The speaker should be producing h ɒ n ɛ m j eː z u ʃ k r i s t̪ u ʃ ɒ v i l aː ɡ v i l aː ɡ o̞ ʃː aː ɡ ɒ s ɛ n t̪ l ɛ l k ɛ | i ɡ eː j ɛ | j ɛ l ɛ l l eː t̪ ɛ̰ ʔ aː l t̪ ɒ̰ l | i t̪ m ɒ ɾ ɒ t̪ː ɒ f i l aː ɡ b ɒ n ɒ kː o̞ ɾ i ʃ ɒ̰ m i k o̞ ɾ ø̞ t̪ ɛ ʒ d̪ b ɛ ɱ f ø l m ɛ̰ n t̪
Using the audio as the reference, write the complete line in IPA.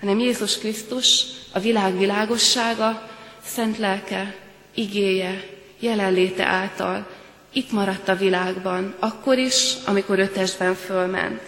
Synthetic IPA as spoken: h ɒ n ɛ m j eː z u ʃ k r i s t̪ u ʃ ɒ v i l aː ɡ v i l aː ɡ o̞ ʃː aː ɡ ɒ s ɛ n t̪ l ɛ l k ɛ | i ɡ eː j ɛ | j ɛ l ɛ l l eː t̪ ɛ̰ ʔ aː l t̪ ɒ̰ l | i t̪ m ɒ ɾ ɒ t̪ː ɒ v i l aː ɡ b ɒ n ɒ kː o̞ ɾ i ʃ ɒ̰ m i k o̞ ɾ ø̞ t̪ ɛ ʒ d̪ b ɛ ɱ f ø l m ɛ̰ n t̪